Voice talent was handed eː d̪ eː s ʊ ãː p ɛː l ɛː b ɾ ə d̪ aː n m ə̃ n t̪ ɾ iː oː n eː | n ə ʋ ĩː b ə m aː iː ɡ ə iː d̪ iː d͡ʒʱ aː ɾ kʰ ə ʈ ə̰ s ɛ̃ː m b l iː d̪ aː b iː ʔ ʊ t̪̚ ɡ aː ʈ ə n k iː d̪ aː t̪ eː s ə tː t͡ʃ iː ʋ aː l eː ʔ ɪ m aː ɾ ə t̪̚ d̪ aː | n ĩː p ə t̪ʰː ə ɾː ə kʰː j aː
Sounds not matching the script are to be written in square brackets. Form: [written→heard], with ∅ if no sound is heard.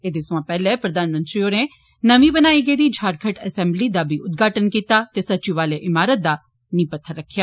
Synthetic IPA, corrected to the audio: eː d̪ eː s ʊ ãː p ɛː l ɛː [b→p] ɾ ə d̪ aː n m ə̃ n t̪ ɾ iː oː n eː | n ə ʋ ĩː b ə [m→n] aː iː ɡ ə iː d̪ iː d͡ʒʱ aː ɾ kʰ ə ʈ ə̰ s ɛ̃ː m b l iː d̪ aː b iː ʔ ʊ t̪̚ ɡ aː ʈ ə n k iː [d̪→t̪] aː t̪ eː s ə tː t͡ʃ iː ʋ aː l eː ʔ ɪ m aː ɾ ə t̪̚ d̪ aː | n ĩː p ə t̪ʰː ə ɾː ə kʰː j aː